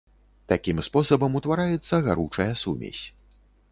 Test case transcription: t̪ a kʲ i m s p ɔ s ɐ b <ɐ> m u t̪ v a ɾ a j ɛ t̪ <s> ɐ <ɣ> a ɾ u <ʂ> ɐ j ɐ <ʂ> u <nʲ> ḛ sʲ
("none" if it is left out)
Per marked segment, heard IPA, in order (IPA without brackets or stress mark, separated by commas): ɐ, sː, ɣ, t͡ʂ, s, mʲ